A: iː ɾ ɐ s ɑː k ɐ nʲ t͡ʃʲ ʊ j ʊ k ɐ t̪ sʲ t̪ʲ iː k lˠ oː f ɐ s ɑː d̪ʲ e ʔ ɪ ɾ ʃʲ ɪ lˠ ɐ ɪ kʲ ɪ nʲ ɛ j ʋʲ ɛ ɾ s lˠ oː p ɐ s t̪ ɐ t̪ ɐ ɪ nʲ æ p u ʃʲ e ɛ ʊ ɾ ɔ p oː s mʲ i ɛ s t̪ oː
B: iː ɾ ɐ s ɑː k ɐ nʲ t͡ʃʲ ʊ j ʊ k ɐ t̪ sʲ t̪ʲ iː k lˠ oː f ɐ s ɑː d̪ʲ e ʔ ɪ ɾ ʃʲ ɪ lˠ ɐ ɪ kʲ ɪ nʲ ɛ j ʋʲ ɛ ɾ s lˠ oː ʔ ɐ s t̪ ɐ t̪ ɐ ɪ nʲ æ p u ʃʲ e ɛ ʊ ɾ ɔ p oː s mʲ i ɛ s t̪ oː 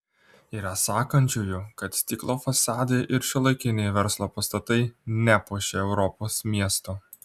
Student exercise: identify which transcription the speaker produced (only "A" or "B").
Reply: A